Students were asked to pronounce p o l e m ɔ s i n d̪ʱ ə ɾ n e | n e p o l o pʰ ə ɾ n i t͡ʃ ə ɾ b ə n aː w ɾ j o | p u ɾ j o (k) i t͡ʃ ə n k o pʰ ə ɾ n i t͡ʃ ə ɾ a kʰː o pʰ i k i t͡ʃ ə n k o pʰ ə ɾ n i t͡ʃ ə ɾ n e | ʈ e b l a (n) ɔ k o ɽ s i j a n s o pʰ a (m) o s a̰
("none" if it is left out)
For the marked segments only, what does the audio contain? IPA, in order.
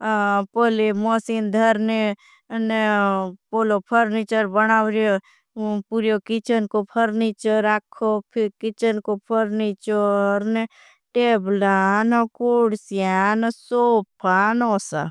k, n, n

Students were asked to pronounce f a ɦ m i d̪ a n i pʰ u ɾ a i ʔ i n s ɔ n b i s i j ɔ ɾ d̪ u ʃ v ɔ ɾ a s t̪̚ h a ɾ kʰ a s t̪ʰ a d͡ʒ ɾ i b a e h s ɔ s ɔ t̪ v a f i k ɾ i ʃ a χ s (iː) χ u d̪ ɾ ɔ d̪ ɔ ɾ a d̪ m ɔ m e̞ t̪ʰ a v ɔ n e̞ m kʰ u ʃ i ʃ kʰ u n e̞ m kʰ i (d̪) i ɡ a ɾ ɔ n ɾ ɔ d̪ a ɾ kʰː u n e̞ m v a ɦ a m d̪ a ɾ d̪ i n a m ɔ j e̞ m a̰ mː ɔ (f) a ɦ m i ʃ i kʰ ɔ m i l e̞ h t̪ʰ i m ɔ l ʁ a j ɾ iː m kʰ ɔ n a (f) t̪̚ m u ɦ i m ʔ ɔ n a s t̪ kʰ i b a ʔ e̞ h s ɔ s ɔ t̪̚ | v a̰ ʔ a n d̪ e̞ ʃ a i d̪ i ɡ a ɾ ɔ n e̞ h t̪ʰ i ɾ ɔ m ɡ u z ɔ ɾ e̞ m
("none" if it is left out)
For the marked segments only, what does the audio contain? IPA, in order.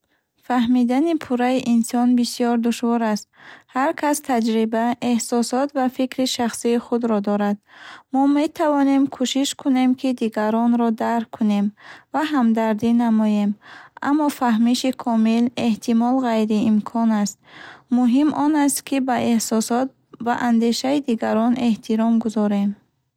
iː, d̪, f, s

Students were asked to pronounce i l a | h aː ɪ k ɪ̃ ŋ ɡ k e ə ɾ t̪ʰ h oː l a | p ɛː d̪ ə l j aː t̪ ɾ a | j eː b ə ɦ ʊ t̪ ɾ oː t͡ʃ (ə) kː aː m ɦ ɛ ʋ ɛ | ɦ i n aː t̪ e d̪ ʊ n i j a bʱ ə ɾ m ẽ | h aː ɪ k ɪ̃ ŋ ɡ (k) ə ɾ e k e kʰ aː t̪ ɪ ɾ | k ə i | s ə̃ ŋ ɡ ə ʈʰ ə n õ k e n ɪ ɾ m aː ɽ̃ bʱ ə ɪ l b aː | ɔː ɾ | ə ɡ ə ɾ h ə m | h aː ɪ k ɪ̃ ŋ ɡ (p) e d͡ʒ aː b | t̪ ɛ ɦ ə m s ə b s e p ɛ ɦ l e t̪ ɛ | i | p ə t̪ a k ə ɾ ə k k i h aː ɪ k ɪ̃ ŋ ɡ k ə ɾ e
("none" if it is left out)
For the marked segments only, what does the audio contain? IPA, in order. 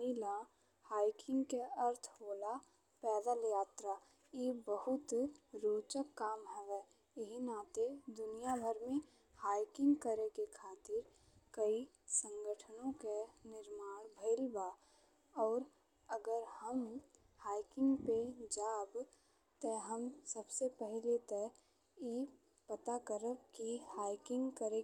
ə, k, p

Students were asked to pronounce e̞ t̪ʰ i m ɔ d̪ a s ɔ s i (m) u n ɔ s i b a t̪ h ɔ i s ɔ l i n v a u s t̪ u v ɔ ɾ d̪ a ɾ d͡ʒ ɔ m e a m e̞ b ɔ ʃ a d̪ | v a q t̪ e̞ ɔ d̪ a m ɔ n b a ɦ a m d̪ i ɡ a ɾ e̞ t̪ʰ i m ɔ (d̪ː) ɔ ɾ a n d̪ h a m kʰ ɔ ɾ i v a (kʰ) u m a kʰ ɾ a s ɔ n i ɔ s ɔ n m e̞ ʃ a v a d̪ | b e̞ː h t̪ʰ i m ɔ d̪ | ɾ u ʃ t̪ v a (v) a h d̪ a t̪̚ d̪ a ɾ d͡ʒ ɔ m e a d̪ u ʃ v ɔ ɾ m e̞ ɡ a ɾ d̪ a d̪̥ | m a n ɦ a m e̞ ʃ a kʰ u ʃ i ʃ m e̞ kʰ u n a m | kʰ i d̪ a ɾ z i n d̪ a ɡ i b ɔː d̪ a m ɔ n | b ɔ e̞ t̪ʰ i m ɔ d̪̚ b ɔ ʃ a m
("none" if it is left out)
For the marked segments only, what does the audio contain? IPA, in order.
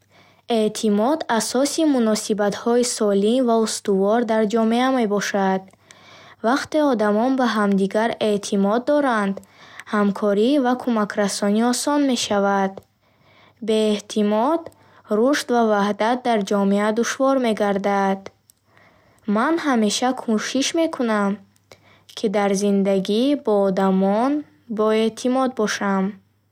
m, d̪ː, kʰ, v

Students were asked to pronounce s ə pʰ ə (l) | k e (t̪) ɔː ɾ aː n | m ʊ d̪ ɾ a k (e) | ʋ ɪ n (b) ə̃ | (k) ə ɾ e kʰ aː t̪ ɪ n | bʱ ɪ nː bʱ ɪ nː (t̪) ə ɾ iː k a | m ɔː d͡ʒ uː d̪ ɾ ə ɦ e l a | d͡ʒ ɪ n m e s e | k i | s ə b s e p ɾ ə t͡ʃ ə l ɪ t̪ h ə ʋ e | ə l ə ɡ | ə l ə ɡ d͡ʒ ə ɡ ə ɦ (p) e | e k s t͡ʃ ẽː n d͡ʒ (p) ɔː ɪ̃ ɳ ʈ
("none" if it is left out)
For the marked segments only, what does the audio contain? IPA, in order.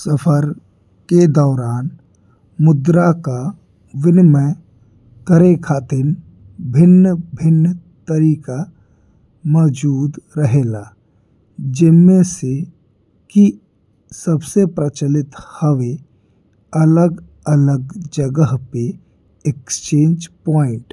ɾ, d̪, a, m, k, t̪, p, p

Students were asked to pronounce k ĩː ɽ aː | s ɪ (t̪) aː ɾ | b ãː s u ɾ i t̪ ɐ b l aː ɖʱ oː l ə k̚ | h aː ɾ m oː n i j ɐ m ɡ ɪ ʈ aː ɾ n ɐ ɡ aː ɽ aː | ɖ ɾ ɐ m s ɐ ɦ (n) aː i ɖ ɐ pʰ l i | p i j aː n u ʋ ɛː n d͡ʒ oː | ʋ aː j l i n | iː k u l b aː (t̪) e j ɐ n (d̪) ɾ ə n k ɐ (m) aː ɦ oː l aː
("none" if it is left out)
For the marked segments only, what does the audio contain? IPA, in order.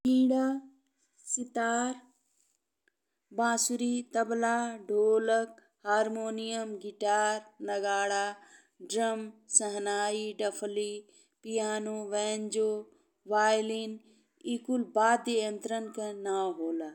t̪, n, d̪, t̪, n

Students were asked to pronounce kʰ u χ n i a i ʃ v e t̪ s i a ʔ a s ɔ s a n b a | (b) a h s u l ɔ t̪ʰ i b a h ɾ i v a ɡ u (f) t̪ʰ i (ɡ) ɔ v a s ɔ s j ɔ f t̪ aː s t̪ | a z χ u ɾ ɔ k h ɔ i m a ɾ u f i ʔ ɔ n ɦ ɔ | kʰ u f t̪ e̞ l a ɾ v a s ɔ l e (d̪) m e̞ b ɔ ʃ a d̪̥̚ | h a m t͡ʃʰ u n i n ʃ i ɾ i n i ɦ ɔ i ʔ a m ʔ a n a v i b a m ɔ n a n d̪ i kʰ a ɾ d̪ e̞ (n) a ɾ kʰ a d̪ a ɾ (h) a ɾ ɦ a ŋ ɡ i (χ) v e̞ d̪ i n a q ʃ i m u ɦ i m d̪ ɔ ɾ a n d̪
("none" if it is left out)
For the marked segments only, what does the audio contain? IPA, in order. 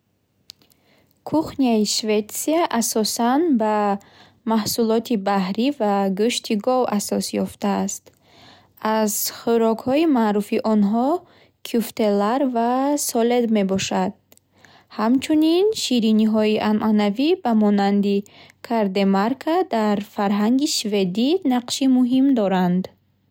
m, ʃ, ɡ, d̪, m, f, ʃ

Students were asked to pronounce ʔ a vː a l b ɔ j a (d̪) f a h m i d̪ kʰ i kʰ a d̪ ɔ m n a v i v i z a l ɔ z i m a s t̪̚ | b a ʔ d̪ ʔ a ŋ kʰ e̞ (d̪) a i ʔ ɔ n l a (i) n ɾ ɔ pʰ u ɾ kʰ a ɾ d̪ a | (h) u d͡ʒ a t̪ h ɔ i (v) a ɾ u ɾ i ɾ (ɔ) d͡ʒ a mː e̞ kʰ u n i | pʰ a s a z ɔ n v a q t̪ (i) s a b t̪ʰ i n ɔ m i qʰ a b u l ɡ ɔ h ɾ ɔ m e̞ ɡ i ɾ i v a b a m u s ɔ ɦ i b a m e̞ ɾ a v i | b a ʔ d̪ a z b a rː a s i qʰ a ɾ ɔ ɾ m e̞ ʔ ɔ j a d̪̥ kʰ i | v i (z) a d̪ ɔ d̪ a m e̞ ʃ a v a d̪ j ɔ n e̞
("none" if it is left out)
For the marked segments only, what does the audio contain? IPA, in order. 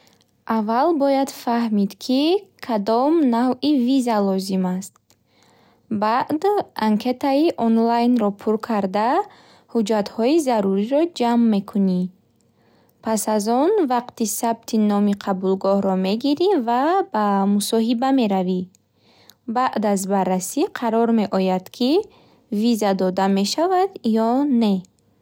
d̪, t̪, j, h, z, ɔ, i, z

